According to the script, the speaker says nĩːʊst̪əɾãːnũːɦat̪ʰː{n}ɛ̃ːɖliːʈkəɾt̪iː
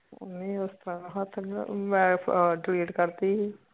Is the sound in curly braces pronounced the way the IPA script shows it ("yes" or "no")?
no